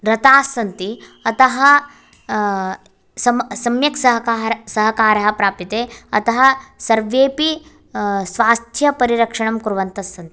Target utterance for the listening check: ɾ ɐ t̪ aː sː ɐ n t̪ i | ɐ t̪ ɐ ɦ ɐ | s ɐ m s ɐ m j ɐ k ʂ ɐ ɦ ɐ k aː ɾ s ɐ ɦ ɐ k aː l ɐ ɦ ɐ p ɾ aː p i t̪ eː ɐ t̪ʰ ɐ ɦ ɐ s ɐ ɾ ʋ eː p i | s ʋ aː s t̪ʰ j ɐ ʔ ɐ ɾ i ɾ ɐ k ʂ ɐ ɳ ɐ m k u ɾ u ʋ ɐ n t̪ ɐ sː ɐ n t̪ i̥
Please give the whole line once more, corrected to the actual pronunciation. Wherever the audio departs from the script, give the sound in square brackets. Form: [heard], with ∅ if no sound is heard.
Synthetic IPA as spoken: ɾ ɐ t̪ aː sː ɐ n t̪ i | ɐ t̪ ɐ ɦ ɐ | s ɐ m s ɐ m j ɐ k [s] ɐ ɦ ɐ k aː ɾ s ɐ ɦ ɐ k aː [ɾ] ɐ ɦ ɐ p ɾ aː p i t̪ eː ɐ [t̪] ɐ ɦ ɐ s ɐ ɾ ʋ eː p i | s ʋ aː s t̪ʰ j ɐ [p] ɐ ɾ i ɾ ɐ k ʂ ɐ ɳ ɐ m k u ɾ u ʋ ɐ n t̪ ɐ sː ɐ n t̪ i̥